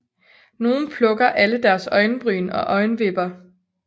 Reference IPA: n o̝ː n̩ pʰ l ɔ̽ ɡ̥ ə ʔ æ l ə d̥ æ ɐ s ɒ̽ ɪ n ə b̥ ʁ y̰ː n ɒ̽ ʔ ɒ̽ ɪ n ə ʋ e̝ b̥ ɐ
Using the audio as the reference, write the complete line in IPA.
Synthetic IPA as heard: n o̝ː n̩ pʰ l ɔ̽ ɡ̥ ɐ ʔ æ l ə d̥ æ ɐ s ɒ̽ ɪ n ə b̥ ʁ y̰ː n ɒ̽ ʔ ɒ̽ ɪ n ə ʋ e̝ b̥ ɐ